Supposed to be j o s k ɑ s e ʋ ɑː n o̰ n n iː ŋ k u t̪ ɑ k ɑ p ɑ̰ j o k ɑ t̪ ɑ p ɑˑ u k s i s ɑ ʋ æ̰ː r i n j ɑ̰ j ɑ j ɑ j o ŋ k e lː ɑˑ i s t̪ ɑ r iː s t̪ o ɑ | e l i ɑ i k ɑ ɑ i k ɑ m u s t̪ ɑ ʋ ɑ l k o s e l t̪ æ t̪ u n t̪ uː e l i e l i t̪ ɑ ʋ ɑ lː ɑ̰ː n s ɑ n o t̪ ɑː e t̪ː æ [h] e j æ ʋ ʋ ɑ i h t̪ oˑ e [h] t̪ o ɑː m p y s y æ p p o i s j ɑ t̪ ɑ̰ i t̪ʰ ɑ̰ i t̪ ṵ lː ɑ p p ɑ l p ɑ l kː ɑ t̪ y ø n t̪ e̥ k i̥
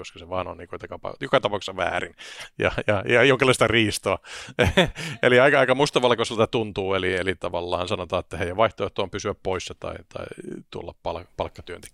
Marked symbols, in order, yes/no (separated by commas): yes, yes